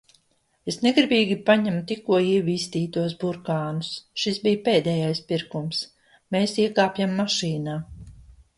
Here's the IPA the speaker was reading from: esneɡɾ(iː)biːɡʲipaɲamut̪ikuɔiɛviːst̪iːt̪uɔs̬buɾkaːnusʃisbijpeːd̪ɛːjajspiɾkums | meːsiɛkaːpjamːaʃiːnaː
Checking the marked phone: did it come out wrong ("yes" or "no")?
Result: yes